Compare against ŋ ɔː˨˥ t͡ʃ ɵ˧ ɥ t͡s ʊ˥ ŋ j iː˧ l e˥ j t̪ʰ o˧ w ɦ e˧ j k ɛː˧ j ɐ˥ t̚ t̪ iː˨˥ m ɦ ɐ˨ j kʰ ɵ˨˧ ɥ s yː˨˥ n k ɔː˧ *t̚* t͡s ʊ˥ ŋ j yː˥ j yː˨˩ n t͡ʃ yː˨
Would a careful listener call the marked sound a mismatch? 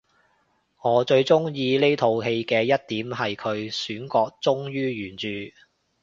yes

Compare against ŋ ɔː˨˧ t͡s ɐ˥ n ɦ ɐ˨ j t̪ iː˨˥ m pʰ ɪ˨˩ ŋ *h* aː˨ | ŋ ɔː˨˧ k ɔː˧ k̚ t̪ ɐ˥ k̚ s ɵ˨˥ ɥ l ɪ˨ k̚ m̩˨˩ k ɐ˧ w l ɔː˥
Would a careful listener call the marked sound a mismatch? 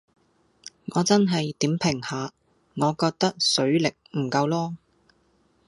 no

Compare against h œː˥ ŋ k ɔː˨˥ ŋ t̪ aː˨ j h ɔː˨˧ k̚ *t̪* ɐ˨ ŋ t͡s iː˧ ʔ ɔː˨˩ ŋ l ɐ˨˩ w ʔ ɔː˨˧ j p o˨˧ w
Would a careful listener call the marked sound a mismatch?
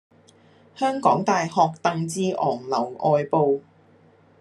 no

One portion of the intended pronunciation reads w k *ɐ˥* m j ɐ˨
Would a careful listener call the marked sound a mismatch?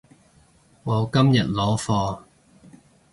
no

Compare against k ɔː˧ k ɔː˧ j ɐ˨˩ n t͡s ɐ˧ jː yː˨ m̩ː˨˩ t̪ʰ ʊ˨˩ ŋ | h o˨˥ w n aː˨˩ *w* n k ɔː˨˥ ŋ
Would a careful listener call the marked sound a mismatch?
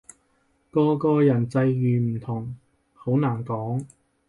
yes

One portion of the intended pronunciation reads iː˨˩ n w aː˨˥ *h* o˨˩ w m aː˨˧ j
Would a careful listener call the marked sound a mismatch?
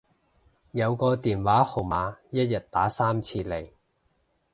no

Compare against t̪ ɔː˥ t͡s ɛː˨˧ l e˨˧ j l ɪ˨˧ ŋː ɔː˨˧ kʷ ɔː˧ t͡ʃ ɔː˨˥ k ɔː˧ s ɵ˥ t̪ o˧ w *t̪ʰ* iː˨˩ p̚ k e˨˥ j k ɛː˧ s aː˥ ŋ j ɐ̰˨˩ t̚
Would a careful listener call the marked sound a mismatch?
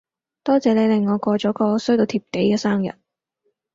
no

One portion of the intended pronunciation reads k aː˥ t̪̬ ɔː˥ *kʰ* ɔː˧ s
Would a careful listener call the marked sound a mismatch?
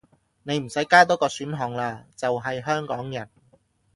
yes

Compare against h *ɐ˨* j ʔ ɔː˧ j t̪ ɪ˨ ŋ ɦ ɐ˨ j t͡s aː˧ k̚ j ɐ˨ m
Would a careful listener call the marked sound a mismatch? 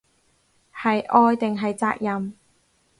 no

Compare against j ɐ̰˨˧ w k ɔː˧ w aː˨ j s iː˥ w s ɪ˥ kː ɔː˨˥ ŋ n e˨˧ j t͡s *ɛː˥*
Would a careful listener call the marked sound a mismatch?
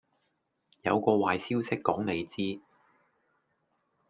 yes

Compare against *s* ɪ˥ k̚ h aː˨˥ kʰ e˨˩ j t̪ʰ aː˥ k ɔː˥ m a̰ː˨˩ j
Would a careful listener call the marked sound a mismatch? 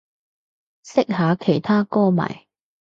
no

